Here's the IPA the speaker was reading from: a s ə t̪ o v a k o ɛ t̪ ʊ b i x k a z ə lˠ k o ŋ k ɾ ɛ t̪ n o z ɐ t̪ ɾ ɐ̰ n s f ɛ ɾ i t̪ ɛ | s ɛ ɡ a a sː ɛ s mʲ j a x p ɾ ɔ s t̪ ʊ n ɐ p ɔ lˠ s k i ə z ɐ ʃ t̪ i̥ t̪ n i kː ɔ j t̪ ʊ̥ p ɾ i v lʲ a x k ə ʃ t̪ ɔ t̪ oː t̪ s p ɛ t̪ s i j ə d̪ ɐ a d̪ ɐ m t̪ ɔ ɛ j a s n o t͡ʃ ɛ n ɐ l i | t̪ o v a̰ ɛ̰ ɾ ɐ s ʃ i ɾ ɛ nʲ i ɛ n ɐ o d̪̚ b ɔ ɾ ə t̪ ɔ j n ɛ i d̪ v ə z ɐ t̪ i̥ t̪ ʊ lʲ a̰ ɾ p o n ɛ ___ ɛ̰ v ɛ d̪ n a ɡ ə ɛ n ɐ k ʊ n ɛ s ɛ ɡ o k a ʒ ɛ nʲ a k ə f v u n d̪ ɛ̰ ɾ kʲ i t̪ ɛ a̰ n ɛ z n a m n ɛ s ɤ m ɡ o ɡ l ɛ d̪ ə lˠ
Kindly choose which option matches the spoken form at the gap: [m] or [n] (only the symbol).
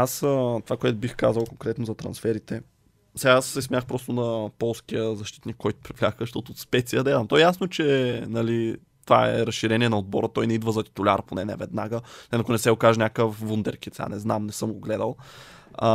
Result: n